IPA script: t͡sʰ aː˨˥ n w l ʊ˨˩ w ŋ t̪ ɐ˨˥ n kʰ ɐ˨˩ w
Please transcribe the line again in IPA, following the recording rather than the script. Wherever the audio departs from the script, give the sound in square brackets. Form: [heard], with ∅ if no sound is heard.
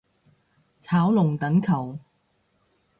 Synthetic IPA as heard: t͡sʰ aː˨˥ [∅] w l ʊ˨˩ [∅] ŋ t̪ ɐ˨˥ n kʰ ɐ˨˩ w